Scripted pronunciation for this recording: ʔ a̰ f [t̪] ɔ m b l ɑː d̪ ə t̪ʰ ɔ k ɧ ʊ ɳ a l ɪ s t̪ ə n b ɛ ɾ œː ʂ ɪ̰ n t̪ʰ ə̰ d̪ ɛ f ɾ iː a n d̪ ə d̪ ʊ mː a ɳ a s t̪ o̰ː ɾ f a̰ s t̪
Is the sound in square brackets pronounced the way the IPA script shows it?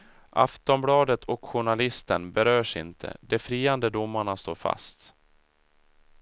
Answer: yes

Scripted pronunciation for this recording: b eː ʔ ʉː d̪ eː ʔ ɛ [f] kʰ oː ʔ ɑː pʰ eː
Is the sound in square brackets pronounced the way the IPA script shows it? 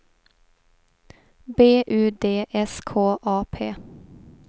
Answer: no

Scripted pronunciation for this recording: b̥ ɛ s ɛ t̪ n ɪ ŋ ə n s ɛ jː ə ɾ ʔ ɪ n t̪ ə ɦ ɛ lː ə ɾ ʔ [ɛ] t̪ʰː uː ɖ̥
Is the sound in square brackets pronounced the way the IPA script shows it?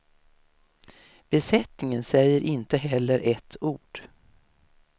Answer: yes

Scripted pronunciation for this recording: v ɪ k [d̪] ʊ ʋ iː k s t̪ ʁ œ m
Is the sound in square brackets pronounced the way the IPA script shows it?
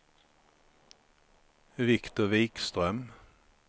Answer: no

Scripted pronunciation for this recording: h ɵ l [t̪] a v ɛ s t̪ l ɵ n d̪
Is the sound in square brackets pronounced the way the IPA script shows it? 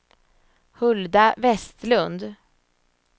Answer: no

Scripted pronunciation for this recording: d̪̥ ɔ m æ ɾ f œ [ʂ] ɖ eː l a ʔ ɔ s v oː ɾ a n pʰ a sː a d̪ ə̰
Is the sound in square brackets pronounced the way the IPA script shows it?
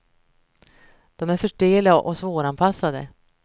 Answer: yes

